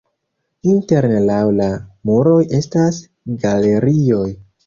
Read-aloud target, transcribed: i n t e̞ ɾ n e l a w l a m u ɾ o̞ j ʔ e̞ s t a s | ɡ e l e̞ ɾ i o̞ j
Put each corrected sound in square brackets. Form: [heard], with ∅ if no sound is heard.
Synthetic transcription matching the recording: i n t e̞ ɾ n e l a w l a m u ɾ o̞ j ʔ e̞ s t a s | ɡ [a] l e̞ ɾ i o̞ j